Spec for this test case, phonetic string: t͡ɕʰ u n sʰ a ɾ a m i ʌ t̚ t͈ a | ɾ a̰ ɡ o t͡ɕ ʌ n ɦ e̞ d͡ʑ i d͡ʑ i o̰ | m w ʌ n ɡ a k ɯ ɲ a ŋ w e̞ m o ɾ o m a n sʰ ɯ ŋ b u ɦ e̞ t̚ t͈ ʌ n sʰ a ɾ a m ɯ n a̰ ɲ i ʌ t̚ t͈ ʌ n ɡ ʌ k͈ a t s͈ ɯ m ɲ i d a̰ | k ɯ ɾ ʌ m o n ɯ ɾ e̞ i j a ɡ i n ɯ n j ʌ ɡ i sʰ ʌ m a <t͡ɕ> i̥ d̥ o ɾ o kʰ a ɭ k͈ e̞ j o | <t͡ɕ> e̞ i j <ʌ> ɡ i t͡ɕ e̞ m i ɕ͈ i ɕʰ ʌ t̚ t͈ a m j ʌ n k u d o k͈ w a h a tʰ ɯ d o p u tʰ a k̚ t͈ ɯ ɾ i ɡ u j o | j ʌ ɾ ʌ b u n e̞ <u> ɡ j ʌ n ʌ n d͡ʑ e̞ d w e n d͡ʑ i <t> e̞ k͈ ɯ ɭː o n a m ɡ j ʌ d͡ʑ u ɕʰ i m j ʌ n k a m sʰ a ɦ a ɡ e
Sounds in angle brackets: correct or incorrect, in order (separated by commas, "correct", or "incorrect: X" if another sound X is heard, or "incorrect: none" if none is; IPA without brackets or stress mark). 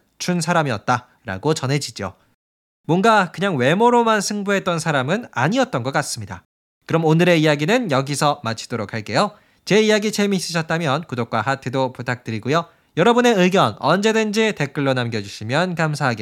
incorrect: t͡ɕʰ, correct, incorrect: a, incorrect: ɯ, correct